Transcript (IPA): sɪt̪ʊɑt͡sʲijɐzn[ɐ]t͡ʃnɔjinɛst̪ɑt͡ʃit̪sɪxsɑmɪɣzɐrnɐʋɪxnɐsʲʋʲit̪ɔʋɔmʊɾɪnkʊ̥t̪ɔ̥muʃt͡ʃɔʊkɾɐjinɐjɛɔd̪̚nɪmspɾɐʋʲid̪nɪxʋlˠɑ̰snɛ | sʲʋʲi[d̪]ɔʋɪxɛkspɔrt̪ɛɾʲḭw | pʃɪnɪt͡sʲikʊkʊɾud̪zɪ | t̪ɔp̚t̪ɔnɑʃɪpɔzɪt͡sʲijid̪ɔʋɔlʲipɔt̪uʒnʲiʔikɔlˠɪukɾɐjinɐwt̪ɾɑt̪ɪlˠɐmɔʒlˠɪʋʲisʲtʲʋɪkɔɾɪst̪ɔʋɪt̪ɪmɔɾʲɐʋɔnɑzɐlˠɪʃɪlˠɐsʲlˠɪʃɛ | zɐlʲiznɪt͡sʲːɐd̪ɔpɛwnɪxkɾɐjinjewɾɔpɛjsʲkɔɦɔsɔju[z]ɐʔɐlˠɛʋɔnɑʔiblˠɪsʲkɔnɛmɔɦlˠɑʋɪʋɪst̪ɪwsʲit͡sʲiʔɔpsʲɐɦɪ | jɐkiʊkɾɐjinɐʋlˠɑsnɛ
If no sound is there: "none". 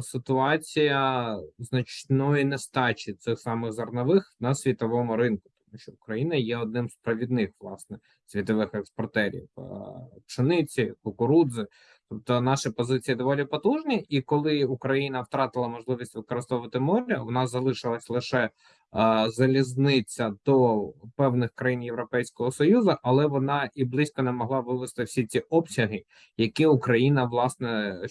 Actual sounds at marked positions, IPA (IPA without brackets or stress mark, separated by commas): ɐ, t̪, z